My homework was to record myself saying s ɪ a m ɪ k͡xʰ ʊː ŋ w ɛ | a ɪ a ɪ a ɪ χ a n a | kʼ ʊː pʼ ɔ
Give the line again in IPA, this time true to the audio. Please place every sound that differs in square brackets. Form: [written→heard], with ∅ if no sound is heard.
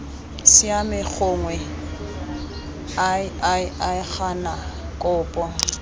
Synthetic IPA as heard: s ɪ a m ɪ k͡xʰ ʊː ŋ w ɛ | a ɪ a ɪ a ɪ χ a n a | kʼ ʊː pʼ ɔ